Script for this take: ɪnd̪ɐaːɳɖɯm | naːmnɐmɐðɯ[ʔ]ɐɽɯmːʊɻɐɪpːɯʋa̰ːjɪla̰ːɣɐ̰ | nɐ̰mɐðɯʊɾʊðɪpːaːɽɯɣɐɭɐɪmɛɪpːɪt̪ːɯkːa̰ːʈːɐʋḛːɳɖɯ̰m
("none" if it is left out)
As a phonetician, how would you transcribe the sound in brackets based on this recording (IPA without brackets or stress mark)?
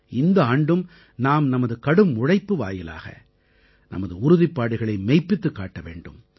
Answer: k